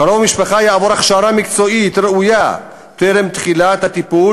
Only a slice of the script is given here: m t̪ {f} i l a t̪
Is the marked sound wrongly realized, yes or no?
yes